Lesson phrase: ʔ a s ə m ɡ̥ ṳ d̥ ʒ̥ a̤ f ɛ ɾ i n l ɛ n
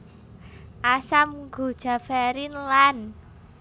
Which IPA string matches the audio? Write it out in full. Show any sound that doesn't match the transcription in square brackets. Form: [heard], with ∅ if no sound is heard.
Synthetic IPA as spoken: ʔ a s [a] m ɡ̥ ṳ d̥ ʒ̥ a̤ f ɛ ɾ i n l [a] n